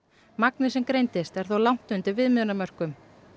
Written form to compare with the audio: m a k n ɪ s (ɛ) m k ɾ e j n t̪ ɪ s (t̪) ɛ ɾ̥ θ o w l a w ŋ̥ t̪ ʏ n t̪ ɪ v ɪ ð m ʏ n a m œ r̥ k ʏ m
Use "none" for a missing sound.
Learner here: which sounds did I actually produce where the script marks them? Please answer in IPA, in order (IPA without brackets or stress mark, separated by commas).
ɛ, t̪